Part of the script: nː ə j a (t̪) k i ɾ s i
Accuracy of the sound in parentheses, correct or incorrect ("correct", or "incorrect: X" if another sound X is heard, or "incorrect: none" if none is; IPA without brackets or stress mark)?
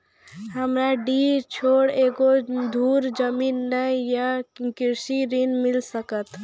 incorrect: none